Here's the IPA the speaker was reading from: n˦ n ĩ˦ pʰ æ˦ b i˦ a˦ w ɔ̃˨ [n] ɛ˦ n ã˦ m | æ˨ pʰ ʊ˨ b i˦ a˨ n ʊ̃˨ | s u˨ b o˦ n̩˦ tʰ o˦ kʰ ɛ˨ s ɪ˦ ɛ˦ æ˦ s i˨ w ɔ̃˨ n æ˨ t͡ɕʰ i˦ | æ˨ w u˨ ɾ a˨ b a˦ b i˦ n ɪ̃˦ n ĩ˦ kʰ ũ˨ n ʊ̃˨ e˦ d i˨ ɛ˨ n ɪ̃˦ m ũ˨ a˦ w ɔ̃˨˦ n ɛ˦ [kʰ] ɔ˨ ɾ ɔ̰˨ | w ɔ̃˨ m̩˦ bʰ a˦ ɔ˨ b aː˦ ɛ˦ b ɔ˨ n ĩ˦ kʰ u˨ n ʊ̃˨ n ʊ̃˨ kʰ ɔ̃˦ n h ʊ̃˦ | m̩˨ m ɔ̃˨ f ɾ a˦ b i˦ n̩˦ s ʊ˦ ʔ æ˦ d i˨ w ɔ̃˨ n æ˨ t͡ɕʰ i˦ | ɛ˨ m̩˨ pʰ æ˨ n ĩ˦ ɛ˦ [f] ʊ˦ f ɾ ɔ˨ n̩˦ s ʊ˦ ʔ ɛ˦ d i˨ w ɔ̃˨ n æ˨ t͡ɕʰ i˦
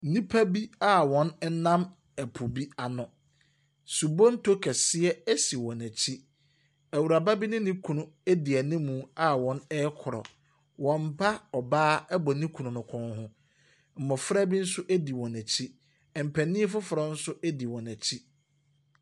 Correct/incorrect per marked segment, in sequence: correct, correct, correct

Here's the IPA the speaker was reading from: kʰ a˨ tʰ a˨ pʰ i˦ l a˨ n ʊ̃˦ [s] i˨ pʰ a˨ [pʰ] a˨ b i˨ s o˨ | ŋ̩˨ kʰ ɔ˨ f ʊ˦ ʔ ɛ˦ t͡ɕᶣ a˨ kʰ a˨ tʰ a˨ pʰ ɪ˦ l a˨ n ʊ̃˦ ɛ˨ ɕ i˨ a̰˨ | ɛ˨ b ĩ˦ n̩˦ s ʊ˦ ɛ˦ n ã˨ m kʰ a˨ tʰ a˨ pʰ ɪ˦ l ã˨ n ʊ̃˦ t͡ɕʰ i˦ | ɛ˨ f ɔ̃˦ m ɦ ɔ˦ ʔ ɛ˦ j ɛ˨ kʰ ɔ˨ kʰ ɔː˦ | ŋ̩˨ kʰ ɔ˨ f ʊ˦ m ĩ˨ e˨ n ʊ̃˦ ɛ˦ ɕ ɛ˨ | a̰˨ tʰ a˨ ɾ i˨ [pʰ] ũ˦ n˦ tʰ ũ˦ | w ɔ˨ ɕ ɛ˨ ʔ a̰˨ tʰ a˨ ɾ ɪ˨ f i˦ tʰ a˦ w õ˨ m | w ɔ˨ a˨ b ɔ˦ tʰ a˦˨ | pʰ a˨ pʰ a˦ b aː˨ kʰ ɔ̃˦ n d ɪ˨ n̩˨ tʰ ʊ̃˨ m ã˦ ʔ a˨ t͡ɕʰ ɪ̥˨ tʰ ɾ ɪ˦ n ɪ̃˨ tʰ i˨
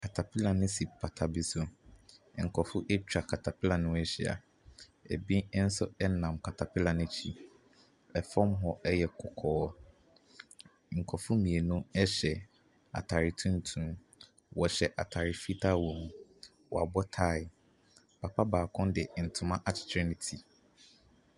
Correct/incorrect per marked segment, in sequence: correct, incorrect, incorrect

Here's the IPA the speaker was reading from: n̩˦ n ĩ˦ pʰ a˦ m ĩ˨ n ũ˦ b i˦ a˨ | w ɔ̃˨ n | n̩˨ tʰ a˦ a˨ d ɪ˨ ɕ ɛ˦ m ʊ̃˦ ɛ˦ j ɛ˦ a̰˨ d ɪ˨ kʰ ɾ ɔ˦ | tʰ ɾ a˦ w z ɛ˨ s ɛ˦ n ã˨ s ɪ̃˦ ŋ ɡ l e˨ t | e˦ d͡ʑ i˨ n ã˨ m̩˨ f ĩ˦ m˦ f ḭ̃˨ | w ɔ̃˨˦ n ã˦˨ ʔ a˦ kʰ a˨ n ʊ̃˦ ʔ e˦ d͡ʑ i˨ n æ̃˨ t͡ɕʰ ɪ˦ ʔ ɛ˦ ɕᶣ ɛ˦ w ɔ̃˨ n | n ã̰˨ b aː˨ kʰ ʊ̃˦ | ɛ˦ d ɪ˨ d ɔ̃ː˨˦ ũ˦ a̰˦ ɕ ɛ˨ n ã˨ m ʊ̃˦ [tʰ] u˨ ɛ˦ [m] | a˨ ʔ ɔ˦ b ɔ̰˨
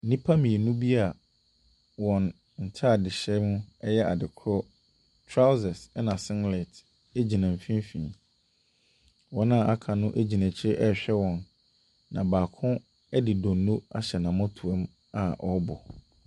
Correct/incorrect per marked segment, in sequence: correct, correct

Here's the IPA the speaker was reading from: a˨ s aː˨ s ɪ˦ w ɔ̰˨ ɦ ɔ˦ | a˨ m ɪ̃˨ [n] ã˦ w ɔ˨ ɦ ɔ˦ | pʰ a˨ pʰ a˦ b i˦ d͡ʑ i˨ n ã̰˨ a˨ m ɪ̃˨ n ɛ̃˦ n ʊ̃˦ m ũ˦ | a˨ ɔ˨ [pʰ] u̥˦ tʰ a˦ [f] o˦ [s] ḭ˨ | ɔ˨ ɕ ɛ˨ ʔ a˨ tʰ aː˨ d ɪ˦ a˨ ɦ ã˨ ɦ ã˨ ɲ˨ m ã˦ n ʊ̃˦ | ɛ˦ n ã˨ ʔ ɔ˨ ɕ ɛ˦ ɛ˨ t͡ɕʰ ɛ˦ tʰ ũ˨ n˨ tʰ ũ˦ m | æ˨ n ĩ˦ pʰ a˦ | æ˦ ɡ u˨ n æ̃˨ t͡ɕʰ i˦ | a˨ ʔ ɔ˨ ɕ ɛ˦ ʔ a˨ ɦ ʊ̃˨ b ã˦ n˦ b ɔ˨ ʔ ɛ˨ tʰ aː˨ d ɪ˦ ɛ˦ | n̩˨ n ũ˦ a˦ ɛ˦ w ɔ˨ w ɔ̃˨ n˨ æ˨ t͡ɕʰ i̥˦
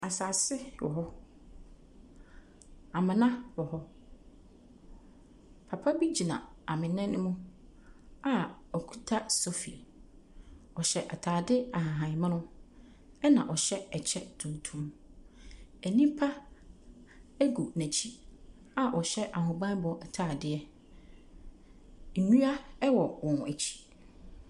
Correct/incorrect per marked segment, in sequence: correct, incorrect, incorrect, incorrect

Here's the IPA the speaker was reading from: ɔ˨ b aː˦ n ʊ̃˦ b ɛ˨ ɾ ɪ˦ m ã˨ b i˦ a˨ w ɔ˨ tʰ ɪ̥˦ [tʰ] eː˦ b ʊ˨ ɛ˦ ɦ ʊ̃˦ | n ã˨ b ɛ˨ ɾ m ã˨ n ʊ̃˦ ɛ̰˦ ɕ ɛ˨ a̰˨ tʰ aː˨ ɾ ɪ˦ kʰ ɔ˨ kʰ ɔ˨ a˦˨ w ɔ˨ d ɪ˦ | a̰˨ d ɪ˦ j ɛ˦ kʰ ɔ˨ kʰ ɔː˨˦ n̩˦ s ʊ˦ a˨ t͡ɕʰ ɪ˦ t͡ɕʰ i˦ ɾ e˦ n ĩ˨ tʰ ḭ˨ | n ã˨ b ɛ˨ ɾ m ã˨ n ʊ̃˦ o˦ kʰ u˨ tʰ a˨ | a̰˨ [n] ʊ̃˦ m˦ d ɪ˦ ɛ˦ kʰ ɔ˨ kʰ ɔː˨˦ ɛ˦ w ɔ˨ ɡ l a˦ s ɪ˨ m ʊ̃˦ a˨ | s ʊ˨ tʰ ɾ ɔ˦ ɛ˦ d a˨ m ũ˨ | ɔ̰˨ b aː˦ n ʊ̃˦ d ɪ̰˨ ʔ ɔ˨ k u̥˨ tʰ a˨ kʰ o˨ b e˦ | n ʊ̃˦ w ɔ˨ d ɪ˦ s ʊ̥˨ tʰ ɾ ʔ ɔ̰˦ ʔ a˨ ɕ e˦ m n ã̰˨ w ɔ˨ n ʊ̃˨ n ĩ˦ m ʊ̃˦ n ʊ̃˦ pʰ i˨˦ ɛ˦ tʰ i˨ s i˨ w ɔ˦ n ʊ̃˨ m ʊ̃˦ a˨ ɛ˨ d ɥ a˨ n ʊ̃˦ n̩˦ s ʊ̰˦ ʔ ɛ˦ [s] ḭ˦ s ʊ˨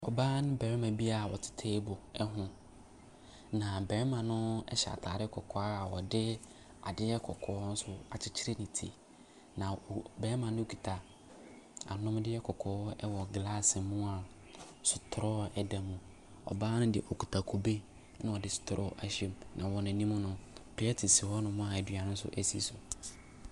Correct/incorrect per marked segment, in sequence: correct, correct, correct

